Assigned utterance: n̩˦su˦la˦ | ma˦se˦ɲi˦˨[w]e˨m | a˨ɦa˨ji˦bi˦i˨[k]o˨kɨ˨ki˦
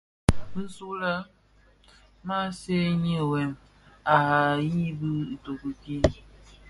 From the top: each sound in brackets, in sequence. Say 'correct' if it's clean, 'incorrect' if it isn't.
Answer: correct, incorrect: t

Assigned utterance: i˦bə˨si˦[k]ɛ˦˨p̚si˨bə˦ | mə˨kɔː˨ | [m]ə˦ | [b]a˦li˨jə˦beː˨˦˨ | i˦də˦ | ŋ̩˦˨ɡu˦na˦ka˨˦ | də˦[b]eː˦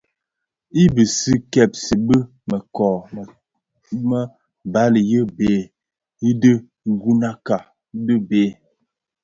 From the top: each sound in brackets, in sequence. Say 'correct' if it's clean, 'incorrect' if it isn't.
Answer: correct, correct, correct, correct

